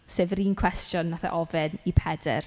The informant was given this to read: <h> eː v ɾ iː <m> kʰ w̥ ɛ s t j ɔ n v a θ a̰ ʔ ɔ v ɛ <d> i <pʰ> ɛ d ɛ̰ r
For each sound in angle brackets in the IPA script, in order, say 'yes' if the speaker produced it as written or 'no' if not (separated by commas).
no, no, no, yes